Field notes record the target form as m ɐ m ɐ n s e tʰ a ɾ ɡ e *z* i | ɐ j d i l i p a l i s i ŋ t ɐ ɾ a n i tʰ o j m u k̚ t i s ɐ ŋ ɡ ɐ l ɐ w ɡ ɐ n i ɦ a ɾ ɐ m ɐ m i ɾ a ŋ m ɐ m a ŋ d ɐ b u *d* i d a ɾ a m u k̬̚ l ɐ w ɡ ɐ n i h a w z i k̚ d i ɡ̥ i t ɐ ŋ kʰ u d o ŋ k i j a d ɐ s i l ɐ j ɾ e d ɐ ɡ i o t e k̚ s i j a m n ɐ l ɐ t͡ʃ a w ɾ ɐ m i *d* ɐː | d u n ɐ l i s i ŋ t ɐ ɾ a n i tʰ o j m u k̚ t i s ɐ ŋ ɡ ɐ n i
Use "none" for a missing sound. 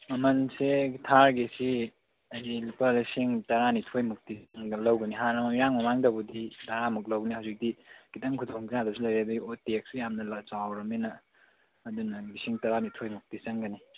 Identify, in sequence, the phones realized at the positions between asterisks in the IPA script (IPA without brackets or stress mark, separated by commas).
s, d, n